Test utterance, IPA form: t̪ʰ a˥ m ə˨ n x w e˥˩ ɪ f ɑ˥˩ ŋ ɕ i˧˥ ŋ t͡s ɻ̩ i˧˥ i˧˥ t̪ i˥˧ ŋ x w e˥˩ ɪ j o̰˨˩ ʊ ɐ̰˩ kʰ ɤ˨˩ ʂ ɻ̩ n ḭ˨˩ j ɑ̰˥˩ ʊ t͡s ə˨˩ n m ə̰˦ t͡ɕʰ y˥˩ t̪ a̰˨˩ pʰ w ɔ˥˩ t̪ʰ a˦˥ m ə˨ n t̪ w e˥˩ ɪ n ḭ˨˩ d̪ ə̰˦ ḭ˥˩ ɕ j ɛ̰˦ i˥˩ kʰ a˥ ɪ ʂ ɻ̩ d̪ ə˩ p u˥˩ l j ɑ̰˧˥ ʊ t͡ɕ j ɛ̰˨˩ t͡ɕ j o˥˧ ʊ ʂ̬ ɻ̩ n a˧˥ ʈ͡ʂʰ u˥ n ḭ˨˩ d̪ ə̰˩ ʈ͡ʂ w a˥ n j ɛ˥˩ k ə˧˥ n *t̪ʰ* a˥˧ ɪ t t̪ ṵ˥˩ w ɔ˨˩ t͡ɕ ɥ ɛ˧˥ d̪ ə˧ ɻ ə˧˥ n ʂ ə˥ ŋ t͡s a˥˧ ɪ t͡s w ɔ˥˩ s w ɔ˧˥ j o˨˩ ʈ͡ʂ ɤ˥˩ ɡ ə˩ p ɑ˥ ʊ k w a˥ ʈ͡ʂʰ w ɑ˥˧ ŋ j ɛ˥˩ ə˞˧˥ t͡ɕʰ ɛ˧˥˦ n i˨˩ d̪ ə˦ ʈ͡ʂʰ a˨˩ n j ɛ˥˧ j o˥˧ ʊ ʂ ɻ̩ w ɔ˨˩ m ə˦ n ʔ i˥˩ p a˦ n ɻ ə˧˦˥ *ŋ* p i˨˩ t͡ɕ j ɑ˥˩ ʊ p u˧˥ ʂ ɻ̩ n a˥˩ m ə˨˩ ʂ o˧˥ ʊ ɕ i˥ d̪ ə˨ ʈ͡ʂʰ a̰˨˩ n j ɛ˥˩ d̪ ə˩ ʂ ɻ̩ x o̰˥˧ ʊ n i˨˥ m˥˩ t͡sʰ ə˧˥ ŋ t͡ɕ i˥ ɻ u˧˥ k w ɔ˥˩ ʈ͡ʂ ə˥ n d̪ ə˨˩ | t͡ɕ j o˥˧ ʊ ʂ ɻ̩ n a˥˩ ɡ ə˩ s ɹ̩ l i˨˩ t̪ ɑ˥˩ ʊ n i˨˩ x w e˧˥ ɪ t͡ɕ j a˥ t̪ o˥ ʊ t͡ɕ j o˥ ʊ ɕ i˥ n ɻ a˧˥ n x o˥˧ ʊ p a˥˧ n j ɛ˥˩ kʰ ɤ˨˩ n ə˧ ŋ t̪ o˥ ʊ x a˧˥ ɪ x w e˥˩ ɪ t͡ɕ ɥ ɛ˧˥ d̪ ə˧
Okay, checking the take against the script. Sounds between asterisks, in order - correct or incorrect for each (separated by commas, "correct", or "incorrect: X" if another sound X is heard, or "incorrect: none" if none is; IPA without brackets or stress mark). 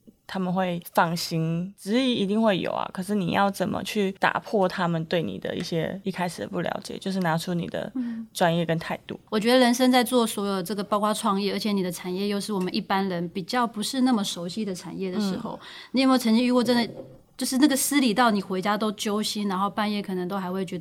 correct, incorrect: n